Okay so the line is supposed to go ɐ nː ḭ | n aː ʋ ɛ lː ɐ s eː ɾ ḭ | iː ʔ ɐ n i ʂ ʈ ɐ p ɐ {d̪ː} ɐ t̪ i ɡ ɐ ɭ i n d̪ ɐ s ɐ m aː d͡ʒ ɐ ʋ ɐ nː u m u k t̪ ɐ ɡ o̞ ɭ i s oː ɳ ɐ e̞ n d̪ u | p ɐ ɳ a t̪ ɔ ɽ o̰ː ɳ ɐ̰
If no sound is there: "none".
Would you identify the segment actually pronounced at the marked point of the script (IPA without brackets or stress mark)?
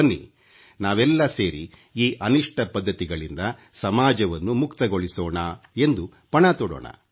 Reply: d̪ː